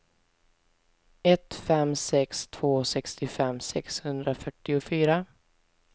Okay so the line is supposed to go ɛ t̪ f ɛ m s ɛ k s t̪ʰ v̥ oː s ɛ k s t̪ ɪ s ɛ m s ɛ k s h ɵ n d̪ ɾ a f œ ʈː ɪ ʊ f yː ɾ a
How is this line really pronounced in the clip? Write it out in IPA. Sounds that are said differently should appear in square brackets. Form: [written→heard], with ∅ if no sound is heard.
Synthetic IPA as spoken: ɛ t̪ f ɛ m s ɛ k s t̪ʰ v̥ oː s ɛ k s t̪ ɪ [s→f] ɛ m s ɛ k s h ɵ n d̪ ɾ a f œ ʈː ɪ ʊ f yː ɾ a